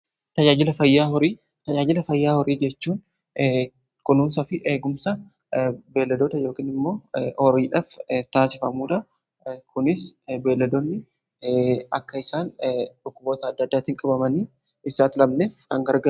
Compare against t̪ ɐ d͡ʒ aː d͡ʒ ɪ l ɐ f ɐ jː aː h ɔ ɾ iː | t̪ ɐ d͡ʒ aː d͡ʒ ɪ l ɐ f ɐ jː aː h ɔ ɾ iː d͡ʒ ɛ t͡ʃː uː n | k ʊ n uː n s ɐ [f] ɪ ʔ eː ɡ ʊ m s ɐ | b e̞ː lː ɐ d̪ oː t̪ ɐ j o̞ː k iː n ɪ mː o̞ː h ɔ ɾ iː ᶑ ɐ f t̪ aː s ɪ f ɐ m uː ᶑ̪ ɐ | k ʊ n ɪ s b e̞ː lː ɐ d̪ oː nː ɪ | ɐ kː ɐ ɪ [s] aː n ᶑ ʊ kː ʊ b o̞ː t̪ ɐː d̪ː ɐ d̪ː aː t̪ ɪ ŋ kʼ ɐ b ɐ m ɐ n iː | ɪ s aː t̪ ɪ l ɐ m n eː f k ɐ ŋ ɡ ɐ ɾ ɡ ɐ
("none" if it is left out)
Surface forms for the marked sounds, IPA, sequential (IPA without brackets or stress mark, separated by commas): f, s